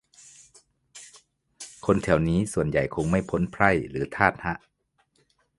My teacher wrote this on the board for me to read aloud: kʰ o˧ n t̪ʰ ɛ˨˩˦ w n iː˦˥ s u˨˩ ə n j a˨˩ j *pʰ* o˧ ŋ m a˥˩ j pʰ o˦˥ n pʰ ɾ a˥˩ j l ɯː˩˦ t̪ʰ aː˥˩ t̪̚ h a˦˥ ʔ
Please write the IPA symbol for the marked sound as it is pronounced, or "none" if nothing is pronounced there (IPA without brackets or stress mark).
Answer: kʰ